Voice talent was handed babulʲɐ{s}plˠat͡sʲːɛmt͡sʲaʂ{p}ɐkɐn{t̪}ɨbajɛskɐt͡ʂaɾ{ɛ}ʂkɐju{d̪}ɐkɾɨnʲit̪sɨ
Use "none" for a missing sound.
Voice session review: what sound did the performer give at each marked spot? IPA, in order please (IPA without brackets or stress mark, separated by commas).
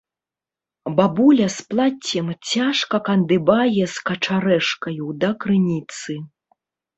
s, k, d̪, ɛ, d̪